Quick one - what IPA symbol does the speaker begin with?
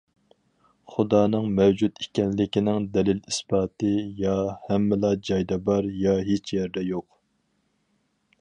χ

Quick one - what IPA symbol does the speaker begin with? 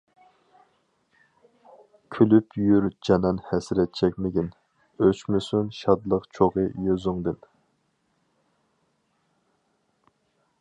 kʲʰ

